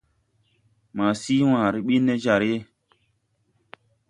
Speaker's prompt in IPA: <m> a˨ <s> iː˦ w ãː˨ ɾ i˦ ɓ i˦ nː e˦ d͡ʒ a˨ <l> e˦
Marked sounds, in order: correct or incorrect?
correct, correct, incorrect: ɾ

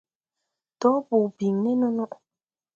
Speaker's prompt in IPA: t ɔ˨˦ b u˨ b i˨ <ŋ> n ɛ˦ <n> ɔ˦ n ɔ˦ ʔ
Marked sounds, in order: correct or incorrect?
correct, correct

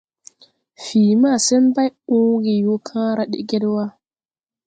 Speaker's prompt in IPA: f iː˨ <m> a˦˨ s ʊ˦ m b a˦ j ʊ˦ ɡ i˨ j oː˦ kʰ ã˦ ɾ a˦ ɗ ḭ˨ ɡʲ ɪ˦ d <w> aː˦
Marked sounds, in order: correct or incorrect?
correct, correct

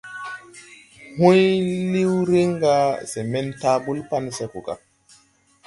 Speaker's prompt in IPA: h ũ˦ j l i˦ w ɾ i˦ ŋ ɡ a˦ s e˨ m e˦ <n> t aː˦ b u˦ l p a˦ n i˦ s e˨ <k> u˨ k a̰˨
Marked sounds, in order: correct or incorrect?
correct, correct

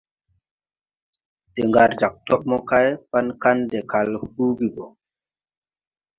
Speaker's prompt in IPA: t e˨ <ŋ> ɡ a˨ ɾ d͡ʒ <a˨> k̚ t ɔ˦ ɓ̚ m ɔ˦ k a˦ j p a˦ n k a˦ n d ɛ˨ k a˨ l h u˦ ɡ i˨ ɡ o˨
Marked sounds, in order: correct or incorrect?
correct, correct

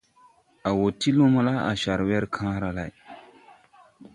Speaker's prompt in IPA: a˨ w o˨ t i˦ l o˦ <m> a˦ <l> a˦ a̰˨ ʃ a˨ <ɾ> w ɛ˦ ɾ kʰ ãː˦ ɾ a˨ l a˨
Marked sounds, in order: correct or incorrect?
correct, correct, correct

